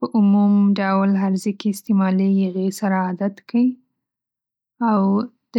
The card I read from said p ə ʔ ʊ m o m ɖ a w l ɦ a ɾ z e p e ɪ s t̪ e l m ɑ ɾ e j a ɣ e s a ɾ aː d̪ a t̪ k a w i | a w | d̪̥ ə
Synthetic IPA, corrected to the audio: p ə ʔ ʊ m u m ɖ a w l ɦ a ɾ z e k e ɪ s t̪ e m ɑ l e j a ɣ e s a ɾ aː d̪ a t̪ k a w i | a w | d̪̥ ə